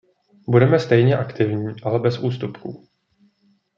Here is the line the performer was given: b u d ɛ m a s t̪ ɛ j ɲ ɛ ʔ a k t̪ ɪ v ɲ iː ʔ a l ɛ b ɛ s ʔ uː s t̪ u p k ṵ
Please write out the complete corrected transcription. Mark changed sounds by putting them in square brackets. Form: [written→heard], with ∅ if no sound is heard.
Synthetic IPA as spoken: b u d ɛ m [a→ɛ] s t̪ ɛ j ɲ ɛ ʔ a k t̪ ɪ v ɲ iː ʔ a l ɛ b ɛ s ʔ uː s t̪ u p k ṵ